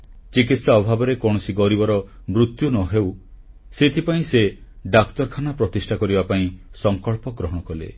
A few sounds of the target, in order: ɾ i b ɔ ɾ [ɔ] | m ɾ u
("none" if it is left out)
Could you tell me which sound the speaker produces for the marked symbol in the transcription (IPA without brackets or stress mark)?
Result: ɔ